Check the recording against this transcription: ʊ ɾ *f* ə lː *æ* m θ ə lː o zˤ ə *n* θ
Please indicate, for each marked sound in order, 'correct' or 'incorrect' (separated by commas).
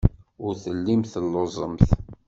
incorrect, incorrect, incorrect